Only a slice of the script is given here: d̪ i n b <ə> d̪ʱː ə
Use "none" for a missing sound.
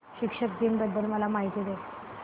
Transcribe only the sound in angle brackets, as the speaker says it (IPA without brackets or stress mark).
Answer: ə